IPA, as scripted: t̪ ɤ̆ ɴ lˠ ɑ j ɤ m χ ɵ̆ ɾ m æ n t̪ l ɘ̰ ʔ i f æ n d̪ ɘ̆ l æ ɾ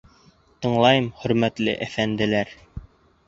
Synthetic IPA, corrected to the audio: t̪ ɤ̆ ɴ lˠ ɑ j ɤ m χ ɵ̆ ɾ m æ t̪ l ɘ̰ ʔ æ f æ n d̪ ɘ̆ l æ ɾ